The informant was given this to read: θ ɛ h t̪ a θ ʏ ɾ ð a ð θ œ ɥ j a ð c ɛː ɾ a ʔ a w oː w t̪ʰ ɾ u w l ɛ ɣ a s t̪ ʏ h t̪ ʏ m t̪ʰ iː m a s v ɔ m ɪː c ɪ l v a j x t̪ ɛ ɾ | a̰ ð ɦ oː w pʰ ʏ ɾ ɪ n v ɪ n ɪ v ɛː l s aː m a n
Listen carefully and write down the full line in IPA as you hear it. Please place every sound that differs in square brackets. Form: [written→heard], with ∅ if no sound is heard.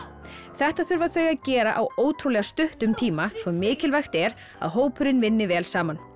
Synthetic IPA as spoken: θ ɛ h t̪ a θ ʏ ɾ [ð→v] a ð θ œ ɥ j a ð c ɛː ɾ a ʔ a w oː w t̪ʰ ɾ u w l ɛ ɣ a s t̪ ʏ h t̪ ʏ m t̪ʰ iː m a s v ɔ m ɪː c ɪ l v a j x t̪ ɛ ɾ | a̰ ð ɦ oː w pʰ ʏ ɾ ɪ n v ɪ [n→nː] ɪ v ɛː l s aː m a n